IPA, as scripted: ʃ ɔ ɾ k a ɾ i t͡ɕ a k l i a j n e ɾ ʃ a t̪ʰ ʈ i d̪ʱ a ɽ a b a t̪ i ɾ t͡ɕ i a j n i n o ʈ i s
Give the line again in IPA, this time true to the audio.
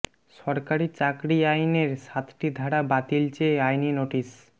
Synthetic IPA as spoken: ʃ ɔ ɾ k a ɾ i t͡ɕ a k ɾ i a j n e ɾ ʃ a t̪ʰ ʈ i d̪ʱ a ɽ a b a t̪ i l t͡ɕ e a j n i n o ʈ i s

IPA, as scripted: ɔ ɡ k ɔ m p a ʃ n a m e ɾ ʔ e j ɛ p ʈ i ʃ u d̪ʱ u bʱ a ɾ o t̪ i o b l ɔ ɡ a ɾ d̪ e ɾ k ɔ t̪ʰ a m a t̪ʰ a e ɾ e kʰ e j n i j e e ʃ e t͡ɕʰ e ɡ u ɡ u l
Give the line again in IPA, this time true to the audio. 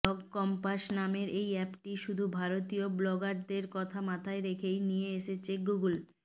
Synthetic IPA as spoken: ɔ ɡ k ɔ m p a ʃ n a m e ɾ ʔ e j ɛ p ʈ i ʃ u d̪ʱ u bʱ a ɾ o t̪ i o b l ɔ ɡ a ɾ d̪ e ɾ k ɔ t̪ʰ a m a t̪ʰ a e ɾ e kʰ e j n i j e e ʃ e t͡ɕʰ e ɡ u ɡ u l

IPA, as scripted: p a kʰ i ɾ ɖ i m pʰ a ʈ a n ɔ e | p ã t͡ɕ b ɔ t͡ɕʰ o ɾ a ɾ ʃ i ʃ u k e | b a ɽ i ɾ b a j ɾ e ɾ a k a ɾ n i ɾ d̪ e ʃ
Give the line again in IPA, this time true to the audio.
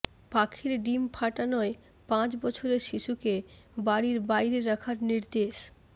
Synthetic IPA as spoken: p a kʰ i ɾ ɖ i m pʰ a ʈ a n ɔ e | p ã t͡ɕ b ɔ t͡ɕʰ o ɾ e ɾ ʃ i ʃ u k e | b a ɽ i ɾ b a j ɾ e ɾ a kʰ a ɾ n i ɾ d̪ e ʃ

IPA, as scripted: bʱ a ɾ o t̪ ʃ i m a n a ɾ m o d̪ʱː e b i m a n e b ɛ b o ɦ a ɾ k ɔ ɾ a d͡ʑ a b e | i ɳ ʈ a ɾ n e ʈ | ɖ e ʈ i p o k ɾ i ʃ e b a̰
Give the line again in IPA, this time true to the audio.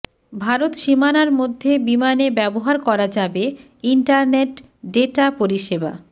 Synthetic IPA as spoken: bʱ a ɾ o t̪ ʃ i m a n a ɾ m o d̪ʱː e b i m a n e b ɛ b o ɦ a ɾ k ɔ ɾ a d͡ʑ a b e | i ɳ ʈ a ɾ n e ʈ | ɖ e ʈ a p o ɾ i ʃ e b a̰

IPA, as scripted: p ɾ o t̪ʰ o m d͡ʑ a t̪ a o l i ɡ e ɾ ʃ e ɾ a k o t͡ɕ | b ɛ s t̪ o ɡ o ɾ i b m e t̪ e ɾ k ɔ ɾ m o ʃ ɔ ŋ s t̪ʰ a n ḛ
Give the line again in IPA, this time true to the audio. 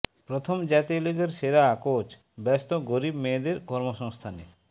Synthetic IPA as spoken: p ɾ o t̪ʰ o m d͡ʑ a t̪ i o l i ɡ e ɾ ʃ e ɾ a k o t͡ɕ | b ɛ s t̪ o ɡ o ɾ i b m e d̪ e ɾ k ɔ ɾ m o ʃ ɔ ŋ s t̪ʰ a n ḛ

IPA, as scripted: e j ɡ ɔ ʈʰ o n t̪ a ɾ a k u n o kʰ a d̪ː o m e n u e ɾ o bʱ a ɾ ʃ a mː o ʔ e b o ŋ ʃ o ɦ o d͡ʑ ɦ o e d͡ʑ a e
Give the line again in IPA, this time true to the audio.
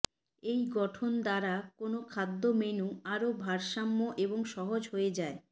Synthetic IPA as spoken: e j ɡ ɔ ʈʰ o n d̪ a ɾ a k o n o kʰ a d̪ː o m e n u a ɾ o bʱ a ɾ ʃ a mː o ʔ e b o ŋ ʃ ɔ ɦ o d͡ʑ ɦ o e d͡ʑ a e

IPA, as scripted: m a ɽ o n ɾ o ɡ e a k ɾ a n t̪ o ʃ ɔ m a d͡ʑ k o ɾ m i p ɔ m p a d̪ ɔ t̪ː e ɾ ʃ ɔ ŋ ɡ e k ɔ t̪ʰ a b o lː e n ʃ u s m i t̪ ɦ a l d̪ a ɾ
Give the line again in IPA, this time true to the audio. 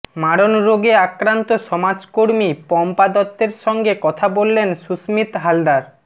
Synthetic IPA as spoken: m a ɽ o n ɾ o ɡ e a k ɾ a n t̪ o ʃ ɔ m a d͡ʑ k o ɾ m i p ɔ m p a d̪ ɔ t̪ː e ɾ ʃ ɔ ŋ ɡ e k ɔ t̪ʰ a b o lː e n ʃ u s m i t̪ ɦ a l d̪ a ɾ

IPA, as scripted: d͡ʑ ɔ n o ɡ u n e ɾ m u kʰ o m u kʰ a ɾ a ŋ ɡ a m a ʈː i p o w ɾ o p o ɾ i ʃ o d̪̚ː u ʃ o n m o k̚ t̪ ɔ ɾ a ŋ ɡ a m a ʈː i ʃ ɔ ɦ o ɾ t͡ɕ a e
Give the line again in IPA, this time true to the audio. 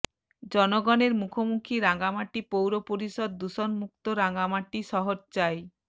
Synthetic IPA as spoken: d͡ʑ ɔ n o ɡ ɔ n e ɾ m u kʰ o m u kʰ i ɾ a ŋ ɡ a m a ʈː i p o w ɾ o p o ɾ i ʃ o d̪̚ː u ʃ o n m u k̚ t̪ o ɾ a ŋ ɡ a m a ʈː i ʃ ɔ ɦ o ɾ t͡ɕ a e

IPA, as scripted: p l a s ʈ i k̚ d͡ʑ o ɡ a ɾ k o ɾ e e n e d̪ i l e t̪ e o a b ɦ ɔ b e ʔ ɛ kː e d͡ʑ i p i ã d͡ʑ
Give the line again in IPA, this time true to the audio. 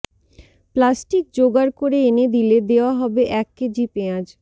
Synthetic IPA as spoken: p l a s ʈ i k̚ d͡ʑ o ɡ a ɾ k o ɾ e e n e d̪ i l e d̪ e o a ɦ ɔ b e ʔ ɛ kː e d͡ʑ i p e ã d͡ʑ

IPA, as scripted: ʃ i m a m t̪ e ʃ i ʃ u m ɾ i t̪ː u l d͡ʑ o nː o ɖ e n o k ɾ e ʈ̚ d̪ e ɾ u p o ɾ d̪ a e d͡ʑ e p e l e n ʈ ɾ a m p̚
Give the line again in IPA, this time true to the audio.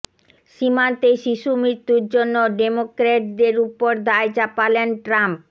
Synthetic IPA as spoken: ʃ i m a n t̪ e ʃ i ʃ u m ɾ i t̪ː u ɾ d͡ʑ o nː o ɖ e m o k ɾ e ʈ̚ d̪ e ɾ u p o ɾ d̪ a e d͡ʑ a p a l e n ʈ ɾ a m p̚

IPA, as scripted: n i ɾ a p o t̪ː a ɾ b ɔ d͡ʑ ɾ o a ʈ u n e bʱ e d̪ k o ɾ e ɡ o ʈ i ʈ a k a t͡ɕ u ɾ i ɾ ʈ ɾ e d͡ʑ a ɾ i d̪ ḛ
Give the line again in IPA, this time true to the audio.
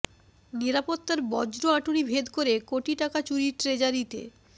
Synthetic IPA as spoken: n i ɾ a p o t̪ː a ɾ b ɔ d͡ʑ ɾ o a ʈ u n i bʱ e d̪ k o ɾ e k o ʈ i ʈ a k a t͡ɕ u ɾ i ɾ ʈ ɾ e d͡ʑ a ɾ i t̪ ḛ

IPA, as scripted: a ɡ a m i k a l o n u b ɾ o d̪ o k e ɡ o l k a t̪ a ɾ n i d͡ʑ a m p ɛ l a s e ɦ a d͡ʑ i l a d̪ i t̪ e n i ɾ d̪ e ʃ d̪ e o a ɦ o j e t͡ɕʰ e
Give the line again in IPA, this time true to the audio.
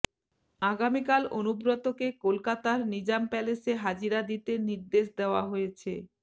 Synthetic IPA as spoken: a ɡ a m i k a l o n u b ɾ o t̪ o k e k o l k a t̪ a ɾ n i d͡ʑ a m p ɛ l e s e ɦ a d͡ʑ i ɾ a d̪ i t̪ e n i ɾ d̪ e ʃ d̪ e o a ɦ o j e t͡ɕʰ e

